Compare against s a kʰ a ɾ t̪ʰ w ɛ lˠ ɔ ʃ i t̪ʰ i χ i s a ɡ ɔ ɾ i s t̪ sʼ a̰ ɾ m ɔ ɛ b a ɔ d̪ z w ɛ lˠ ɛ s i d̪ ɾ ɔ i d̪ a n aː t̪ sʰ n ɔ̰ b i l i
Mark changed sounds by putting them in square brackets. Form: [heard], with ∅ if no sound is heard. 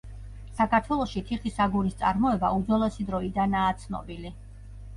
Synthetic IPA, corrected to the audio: s a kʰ a ɾ t̪ʰ w ɛ lˠ ɔ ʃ i t̪ʰ i χ i s a ɡ [u] ɾ i s t̪ sʼ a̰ ɾ m ɔ ɛ b a [u] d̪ z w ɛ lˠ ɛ s i d̪ ɾ ɔ i d̪ a n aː t̪ sʰ n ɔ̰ b i l i